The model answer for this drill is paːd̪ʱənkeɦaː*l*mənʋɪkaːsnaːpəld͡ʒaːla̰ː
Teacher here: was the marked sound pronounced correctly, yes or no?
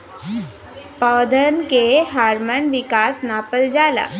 no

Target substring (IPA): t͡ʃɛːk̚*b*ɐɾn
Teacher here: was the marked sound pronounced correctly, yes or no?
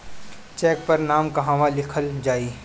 no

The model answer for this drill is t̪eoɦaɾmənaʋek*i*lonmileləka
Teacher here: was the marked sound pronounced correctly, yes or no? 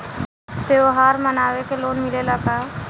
no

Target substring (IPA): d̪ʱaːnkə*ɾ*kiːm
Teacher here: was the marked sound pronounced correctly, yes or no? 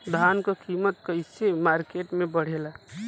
no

